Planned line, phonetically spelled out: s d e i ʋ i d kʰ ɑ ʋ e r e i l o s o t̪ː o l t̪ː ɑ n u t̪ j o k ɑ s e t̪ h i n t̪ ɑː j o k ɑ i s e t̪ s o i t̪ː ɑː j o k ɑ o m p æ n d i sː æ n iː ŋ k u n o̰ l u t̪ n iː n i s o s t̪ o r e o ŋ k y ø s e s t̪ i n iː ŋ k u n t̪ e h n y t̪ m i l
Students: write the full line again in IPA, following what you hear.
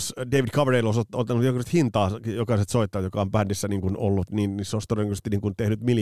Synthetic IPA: s d e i ʋ i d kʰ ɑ ʋ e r e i l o s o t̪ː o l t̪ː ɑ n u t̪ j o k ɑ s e t̪ h i n t̪ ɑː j o k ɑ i s e t̪ s o i t̪ː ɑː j o k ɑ o m p æ n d i sː æ n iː ŋ k u n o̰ lː u t̪ n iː n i s o s t̪ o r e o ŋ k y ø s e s t̪ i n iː ŋ k u n t̪ e h n y t̪ m i l